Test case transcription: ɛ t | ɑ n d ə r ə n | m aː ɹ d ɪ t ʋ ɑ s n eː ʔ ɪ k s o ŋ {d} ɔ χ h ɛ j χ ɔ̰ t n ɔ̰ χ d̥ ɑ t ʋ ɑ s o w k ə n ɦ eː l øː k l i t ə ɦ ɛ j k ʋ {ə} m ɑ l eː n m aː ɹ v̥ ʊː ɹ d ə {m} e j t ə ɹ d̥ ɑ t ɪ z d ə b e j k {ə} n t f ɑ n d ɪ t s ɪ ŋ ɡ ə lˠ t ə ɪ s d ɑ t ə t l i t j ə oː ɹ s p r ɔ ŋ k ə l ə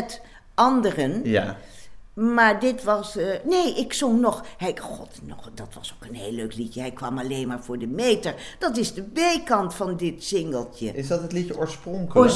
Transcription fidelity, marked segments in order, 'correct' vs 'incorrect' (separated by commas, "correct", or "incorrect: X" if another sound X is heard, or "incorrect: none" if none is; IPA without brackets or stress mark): incorrect: n, incorrect: ɑ, correct, incorrect: ɑ